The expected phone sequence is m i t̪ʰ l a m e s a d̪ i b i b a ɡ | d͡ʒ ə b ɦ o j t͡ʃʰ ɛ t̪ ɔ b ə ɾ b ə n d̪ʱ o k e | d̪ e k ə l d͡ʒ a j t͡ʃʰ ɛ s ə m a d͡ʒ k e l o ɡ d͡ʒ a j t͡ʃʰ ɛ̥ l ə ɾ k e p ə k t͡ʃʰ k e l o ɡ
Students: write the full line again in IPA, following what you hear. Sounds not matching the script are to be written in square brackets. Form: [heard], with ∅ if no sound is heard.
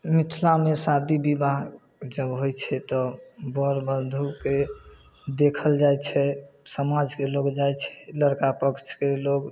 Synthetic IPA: m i t̪ʰ l a m e s a d̪ i b i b a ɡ | d͡ʒ ə b ɦ o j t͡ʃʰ ɛ t̪ ɔ b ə ɾ b ə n d̪ʱ [u] k e | d̪ e [kʰ] ə l d͡ʒ a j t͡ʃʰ ɛ s ə m a d͡ʒ k e l o ɡ d͡ʒ a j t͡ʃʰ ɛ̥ l ə ɾ k [a] p ə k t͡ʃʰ k e l o ɡ